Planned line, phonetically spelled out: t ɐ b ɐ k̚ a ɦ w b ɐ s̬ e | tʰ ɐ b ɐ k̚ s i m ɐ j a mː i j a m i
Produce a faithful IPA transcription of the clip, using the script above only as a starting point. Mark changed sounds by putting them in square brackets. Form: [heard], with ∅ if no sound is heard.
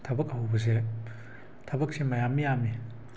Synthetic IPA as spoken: [tʰ] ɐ b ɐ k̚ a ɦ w b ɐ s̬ e | tʰ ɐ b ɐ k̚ s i m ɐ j a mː i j a m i